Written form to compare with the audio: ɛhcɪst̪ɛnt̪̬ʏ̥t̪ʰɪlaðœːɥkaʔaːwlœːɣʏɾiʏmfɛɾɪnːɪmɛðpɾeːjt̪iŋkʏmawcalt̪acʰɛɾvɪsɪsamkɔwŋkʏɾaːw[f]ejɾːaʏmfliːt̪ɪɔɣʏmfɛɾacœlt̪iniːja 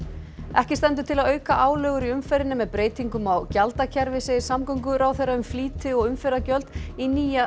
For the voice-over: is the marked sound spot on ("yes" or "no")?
no